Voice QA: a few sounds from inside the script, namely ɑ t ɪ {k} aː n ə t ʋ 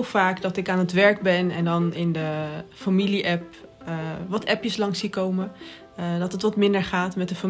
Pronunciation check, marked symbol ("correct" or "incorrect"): correct